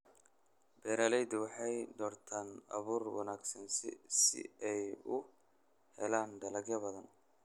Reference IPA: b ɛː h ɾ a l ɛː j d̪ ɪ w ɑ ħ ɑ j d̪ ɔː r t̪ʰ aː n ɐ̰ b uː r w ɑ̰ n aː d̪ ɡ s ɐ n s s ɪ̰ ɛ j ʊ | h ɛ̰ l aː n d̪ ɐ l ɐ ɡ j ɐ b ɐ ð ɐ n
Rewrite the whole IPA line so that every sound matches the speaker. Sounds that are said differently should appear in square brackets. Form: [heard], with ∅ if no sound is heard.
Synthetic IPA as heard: b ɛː [∅] ɾ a l [ɛ] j d̪ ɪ w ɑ ħ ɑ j d̪ ɔː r t̪ʰ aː n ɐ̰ [β] uː r w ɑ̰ n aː [∅] ɡ s ɐ n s s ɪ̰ ɛ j ʊ | h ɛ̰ l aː n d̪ ɐ l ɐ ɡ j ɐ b ɐ ð ɐ n

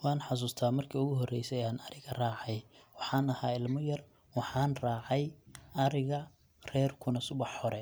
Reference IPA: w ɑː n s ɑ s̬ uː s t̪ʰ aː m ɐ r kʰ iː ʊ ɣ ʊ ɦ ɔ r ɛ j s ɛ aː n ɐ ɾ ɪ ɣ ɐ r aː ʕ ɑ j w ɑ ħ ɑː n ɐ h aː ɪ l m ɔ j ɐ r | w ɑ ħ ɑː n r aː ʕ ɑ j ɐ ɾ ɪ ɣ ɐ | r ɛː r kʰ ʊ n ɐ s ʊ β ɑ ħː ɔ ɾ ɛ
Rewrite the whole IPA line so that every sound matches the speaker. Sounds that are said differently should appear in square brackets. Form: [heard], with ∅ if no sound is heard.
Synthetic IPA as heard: w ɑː n [ħ] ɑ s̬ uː s t̪ʰ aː m ɐ r kʰ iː ʊ ɣ ʊ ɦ ɔ r ɛ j s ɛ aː n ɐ ɾ ɪ ɣ ɐ r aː ʕ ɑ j w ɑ ħ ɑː n ɐ h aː ɪ l m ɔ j ɐ r | w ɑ ħ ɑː n r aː ʕ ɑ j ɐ ɾ ɪ ɣ ɐ | r ɛː r kʰ ʊ n ɐ s ʊ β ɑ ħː ɔ ɾ ɛ

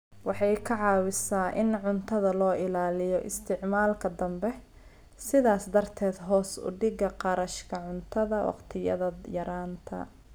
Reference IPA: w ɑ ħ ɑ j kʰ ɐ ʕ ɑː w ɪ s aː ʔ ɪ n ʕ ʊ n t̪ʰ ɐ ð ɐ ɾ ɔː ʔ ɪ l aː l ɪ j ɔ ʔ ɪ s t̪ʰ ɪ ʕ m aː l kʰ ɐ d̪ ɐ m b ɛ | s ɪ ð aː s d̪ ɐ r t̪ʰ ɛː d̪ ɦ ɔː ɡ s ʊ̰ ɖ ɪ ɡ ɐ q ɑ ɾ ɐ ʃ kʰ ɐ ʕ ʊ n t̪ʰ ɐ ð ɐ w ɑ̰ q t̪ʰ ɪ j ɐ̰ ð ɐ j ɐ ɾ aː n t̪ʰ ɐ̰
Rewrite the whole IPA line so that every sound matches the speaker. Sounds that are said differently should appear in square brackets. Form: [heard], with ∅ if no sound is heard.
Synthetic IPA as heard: w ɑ ħ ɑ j kʰ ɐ ʕ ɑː w ɪ s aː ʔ ɪ n ʕ ʊ n t̪ʰ ɐ ð ɐ [l] ɔː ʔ ɪ l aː l ɪ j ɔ ʔ ɪ s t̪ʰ ɪ ʕ m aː l kʰ ɐ d̪ ɐ m b ɛ | s ɪ ð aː s d̪ ɐ r t̪ʰ ɛː d̪ ɦ ɔː [∅] s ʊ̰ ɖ ɪ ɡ ɐ q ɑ ɾ ɐ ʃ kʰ ɐ ʕ ʊ n t̪ʰ ɐ ð ɐ w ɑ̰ q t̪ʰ ɪ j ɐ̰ ð ɐ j ɐ ɾ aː n t̪ʰ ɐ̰

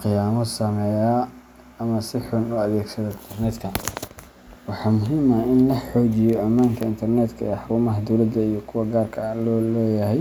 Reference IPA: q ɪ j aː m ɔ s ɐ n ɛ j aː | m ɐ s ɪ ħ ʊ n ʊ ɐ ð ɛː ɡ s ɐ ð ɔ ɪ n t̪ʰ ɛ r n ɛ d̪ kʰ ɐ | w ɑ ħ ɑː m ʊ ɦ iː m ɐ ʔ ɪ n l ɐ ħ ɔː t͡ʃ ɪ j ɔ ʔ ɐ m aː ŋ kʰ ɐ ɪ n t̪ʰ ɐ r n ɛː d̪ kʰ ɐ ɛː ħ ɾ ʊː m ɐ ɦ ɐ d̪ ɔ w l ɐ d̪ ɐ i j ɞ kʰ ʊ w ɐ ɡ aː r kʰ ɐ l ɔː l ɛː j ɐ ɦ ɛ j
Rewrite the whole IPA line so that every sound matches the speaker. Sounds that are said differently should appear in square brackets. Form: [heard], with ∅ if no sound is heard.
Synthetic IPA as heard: q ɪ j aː m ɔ s ɐ [m] ɛ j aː | m ɐ s ɪ ħ ʊ n ʊ ɐ ð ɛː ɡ s ɐ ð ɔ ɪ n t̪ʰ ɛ r n ɛ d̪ kʰ ɐ | w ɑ ħ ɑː m ʊ ɦ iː m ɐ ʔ ɪ n l ɐ ħ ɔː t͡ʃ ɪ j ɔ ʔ ɐ m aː ŋ kʰ ɐ ɪ n t̪ʰ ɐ r n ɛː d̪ kʰ ɐ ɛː ħ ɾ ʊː m ɐ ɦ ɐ d̪ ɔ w l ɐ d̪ ɐ i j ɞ kʰ ʊ w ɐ ɡ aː r kʰ ɐ l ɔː l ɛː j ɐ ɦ ɛ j

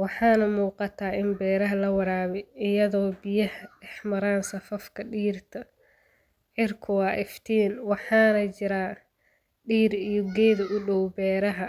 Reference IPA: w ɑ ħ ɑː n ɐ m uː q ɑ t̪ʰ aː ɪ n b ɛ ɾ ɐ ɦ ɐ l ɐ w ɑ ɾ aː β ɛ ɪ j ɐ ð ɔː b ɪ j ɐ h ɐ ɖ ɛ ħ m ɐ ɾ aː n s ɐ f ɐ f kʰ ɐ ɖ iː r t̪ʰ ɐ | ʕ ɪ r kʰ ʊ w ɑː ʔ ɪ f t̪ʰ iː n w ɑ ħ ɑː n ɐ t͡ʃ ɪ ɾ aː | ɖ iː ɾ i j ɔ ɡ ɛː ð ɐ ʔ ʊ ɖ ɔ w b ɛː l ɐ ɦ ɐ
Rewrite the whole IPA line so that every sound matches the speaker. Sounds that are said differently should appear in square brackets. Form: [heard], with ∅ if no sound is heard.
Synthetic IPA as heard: w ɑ ħ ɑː n ɐ m uː q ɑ t̪ʰ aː ɪ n b [ɛː] ɾ ɐ ɦ ɐ l ɐ w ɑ ɾ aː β ɛ ɪ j ɐ ð ɔː b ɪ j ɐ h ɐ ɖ ɛ ħ m ɐ ɾ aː n s ɐ f ɐ f kʰ ɐ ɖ iː r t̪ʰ ɐ | ʕ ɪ r kʰ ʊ w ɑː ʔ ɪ f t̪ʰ iː n w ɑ ħ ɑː n ɐ t͡ʃ ɪ ɾ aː | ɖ iː ɾ i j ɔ ɡ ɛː ð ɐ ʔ ʊ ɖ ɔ w b ɛː [ɾ] ɐ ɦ ɐ

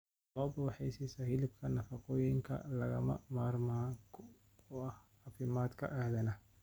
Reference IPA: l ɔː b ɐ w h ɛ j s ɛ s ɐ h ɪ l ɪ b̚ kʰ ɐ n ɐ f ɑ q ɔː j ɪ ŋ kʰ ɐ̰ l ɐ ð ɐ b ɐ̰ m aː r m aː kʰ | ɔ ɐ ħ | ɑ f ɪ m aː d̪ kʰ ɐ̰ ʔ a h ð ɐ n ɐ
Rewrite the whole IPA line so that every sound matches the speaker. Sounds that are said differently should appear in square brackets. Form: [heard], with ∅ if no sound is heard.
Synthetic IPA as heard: l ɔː b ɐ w [ħ] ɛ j s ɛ s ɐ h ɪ l ɪ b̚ kʰ ɐ n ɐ f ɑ q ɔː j ɪ ŋ kʰ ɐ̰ l ɐ [ɣ] ɐ [m] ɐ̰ m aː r m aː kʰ | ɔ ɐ [h] | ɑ f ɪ m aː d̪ kʰ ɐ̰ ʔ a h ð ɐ n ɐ

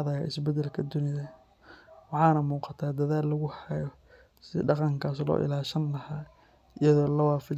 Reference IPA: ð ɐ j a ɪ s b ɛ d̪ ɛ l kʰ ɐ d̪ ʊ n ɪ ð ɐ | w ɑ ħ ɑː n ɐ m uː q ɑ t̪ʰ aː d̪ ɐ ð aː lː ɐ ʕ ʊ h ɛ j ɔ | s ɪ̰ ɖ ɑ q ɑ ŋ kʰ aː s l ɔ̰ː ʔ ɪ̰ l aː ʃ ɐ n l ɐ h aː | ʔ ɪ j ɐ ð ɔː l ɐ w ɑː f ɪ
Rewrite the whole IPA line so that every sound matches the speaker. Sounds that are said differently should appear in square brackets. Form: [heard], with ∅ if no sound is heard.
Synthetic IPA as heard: ð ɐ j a ɪ s b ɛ d̪ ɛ l kʰ ɐ d̪ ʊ n ɪ ð ɐ | w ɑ ħ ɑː n ɐ m uː q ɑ t̪ʰ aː d̪ ɐ ð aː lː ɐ [ɣ] ʊ h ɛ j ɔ | s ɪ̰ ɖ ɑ q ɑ ŋ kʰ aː s l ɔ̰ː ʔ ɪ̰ l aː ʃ ɐ n l ɐ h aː | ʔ ɪ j ɐ ð ɔː l ɐ w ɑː f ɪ

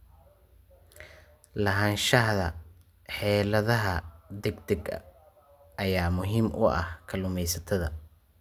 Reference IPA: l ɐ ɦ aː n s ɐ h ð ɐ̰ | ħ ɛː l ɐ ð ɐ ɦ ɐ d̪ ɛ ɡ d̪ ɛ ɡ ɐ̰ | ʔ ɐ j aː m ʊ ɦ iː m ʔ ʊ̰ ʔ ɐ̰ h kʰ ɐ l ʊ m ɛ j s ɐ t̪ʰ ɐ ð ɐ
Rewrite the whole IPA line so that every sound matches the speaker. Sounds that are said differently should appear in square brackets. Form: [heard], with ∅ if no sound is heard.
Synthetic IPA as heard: l ɐ ɦ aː n [ʃ] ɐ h ð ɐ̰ | ħ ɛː l ɐ ð ɐ ɦ ɐ d̪ ɛ ɡ d̪ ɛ ɡ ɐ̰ | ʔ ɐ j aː m ʊ ɦ iː m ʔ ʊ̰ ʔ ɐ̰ h kʰ ɐ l ʊ m ɛ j s ɐ t̪ʰ ɐ ð ɐ

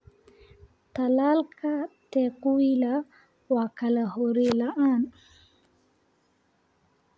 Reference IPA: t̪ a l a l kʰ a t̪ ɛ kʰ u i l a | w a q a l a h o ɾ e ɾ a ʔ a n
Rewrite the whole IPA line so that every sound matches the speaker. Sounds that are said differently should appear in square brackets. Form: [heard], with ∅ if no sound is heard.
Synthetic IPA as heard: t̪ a l a l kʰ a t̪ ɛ [k] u i l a | w a [k] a l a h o ɾ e [l] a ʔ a n

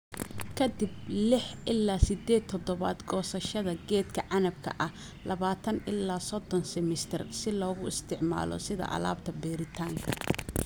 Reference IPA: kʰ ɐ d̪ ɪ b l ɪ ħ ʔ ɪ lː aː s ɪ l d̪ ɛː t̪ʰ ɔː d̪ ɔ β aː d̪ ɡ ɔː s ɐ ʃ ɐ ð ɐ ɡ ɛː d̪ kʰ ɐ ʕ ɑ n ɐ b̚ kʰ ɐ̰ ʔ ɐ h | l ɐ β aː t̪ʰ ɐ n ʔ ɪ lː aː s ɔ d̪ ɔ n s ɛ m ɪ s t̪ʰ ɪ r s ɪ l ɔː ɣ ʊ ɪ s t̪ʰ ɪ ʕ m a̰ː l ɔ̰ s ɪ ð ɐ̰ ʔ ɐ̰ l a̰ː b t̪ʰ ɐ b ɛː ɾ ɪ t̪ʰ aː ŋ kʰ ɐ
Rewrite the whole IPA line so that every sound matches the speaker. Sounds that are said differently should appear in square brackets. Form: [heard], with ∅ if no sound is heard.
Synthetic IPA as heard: kʰ ɐ d̪ ɪ b l ɪ ħ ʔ ɪ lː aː s ɪ [∅] d̪ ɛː t̪ʰ [ɔ] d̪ ɔ β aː d̪ ɡ ɔː s ɐ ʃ ɐ ð ɐ ɡ ɛː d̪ kʰ ɐ ʕ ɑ n ɐ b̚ kʰ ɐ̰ ʔ ɐ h | l ɐ β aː t̪ʰ ɐ n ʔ ɪ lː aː s ɔ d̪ ɔ n s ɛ m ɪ s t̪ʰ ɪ r s ɪ l ɔː ɣ ʊ ɪ s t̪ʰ ɪ ʕ m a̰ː l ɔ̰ s ɪ ð ɐ̰ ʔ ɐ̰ l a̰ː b t̪ʰ ɐ b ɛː ɾ ɪ t̪ʰ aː ŋ kʰ ɐ

